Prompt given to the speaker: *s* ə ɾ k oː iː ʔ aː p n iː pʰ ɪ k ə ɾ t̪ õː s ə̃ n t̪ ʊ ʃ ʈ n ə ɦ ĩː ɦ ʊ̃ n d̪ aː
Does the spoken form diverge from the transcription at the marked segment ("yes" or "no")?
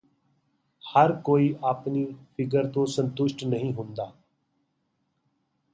yes